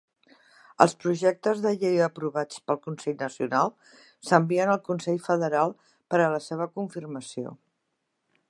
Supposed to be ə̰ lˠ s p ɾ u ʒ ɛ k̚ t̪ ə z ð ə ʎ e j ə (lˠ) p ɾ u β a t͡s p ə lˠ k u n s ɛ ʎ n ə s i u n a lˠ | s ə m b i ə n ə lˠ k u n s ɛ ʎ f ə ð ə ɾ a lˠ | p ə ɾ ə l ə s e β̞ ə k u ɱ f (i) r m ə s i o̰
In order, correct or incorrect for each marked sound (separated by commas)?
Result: incorrect, correct